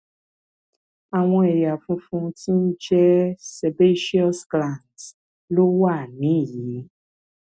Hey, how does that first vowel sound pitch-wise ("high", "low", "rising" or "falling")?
low